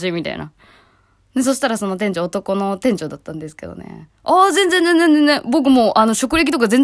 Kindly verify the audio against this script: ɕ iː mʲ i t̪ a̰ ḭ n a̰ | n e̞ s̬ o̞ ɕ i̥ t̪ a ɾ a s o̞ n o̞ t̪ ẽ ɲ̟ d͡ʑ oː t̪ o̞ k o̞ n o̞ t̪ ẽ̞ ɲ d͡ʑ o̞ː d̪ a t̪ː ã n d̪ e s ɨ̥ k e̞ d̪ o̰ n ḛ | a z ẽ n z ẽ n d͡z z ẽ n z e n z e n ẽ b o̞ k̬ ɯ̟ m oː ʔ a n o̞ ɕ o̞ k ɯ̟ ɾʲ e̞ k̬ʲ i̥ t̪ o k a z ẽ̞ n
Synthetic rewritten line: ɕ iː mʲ i t̪ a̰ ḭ n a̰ | n e̞ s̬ o̞ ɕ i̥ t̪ a ɾ a s o̞ n o̞ t̪ ẽ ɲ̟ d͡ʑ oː t̪ o̞ k o̞ n o̞ t̪ ẽ̞ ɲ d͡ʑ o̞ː d̪ a t̪ː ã n d̪ e s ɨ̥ k e̞ d̪ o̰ n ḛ | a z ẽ n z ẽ n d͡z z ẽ n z e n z e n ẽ b o̞ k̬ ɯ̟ m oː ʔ a n o̞ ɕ o̞ k ɯ̟ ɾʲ e̞ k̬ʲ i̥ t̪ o k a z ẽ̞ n